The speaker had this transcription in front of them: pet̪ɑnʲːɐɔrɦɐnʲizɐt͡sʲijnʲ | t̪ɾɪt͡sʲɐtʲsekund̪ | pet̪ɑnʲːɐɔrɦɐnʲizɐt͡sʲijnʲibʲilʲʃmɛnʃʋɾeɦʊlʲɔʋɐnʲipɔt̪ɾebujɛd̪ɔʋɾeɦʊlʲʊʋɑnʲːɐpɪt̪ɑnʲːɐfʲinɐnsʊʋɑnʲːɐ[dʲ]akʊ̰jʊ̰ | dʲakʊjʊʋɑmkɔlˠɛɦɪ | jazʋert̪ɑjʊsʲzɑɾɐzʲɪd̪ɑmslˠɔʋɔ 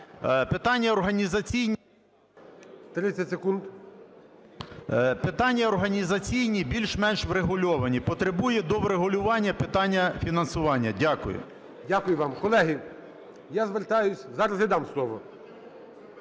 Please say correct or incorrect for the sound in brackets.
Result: correct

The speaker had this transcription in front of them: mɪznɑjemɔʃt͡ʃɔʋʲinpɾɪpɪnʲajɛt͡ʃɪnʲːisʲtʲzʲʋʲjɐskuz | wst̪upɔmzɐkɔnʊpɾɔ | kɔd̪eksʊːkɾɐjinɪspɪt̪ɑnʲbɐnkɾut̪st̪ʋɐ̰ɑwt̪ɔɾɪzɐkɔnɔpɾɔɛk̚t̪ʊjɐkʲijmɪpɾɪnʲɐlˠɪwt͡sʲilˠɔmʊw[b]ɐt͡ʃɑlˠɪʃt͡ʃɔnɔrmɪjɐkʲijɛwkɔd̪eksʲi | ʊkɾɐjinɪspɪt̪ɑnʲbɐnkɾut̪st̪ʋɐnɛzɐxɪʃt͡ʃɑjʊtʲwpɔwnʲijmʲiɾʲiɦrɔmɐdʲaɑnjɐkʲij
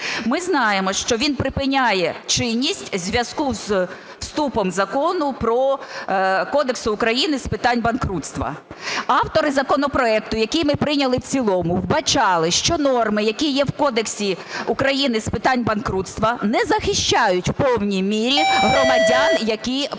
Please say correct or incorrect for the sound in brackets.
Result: correct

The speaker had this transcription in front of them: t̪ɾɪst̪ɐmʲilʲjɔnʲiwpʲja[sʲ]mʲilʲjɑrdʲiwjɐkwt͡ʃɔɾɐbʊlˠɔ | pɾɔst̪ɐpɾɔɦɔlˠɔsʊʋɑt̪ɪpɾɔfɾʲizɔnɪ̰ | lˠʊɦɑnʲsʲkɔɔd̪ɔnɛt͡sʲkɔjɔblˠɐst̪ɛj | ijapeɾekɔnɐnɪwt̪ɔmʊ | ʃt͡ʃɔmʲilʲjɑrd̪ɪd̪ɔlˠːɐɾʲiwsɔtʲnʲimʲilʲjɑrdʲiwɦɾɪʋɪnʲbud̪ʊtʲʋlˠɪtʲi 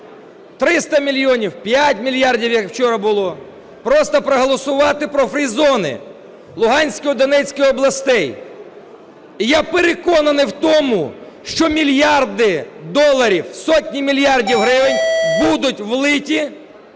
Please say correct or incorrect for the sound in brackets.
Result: incorrect: tʲ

